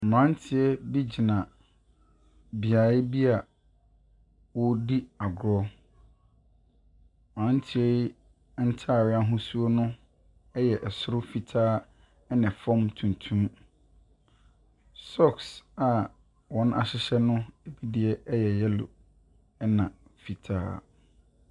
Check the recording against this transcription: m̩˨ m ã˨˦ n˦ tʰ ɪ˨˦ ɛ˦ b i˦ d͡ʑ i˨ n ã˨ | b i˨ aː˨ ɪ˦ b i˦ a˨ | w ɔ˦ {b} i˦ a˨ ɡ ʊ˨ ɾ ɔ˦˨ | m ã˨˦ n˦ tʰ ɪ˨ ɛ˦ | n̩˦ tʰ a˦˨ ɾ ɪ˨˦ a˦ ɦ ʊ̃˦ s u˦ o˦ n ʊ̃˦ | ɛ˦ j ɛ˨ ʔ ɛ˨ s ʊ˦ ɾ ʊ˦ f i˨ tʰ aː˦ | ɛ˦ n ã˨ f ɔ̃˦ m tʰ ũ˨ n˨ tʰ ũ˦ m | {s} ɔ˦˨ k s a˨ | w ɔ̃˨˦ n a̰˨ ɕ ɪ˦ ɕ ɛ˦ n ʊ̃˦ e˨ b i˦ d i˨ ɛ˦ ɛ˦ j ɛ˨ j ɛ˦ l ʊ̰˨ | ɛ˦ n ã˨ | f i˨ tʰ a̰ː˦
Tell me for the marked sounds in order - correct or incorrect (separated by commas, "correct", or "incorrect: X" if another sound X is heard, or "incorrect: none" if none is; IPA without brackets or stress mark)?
incorrect: d, correct